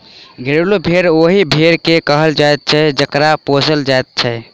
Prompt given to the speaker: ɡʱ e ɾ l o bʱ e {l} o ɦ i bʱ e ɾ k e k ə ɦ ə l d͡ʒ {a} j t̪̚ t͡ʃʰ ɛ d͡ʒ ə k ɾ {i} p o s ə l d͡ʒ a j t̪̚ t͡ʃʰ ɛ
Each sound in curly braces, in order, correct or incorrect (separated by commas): incorrect, correct, incorrect